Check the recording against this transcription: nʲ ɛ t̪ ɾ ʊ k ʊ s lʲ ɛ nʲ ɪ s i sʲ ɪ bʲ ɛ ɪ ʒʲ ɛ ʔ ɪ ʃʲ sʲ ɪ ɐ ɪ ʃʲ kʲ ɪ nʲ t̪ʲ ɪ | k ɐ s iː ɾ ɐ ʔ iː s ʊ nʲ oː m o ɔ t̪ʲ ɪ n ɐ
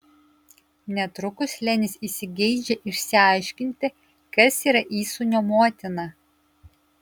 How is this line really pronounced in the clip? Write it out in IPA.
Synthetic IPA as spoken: nʲ ɛ t̪ ɾ ʊ k ʊ s lʲ ɛ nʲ ɪ s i sʲ ɪ ɡʲ ɛ ɪ d͡ʒʲ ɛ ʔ ɪ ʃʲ sʲ ɪ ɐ ɪ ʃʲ kʲ ɪ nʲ t̪ʲ ɪ | k ɐ s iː ɾ ɐ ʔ iː s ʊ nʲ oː m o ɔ t̪ʲ ɪ n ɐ